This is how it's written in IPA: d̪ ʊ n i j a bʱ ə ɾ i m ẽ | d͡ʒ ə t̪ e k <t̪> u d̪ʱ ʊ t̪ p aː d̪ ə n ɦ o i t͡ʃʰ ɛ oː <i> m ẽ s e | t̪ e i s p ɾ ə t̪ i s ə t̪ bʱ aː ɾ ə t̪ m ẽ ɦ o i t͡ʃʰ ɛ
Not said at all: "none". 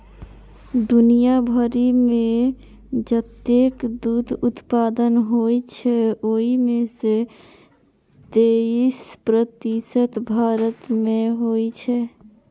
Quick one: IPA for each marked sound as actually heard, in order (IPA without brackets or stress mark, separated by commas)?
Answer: d̪, i